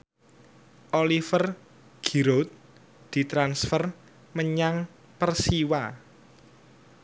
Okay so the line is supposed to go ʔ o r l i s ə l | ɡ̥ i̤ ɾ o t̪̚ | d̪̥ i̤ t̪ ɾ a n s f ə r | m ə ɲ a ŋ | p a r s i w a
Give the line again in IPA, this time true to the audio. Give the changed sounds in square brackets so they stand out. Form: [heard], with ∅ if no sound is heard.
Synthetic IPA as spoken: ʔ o [∅] l i [f] ə [r] | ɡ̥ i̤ ɾ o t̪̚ | d̪̥ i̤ t̪ ɾ a n s f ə r | m ə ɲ a ŋ | p [ə] r s i w a